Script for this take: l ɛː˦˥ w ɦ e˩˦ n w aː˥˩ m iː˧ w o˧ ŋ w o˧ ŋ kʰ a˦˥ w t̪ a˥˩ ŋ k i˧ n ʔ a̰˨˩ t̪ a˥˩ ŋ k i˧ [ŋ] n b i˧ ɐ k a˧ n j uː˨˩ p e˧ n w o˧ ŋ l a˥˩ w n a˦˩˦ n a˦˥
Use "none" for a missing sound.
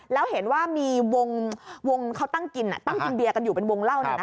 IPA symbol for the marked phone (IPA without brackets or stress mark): none